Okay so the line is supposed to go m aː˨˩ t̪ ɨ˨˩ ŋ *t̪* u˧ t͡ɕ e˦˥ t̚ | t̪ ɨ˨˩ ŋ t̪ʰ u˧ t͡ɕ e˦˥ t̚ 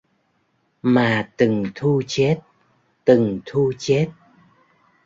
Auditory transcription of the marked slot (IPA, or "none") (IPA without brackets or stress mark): t̪ʰ